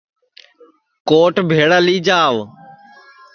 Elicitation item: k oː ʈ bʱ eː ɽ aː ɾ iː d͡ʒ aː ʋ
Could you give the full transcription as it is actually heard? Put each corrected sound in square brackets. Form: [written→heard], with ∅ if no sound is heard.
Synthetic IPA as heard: k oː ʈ bʱ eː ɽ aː [ɾ→l] iː d͡ʒ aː ʋ